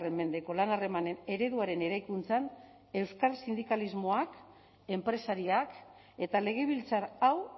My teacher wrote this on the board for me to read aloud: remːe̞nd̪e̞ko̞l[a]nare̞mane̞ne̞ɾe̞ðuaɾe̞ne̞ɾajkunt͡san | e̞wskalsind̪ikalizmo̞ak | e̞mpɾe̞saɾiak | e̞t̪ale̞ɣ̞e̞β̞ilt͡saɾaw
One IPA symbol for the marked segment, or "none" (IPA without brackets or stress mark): a